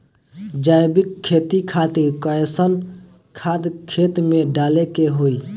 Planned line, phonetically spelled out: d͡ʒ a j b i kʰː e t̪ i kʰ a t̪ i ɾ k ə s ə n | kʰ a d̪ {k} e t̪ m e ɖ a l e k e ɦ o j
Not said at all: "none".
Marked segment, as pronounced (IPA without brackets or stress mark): kʰ